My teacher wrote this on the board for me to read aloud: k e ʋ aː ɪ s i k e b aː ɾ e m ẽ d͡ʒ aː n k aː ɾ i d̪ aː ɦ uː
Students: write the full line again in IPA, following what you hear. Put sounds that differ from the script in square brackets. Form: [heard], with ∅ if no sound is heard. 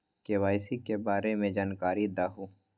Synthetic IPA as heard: k e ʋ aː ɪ s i k e b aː ɾ e m ẽ d͡ʒ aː n k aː ɾ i d̪ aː ɦ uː